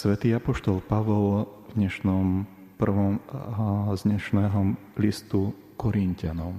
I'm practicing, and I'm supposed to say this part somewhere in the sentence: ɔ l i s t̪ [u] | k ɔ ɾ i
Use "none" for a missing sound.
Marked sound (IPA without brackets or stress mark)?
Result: u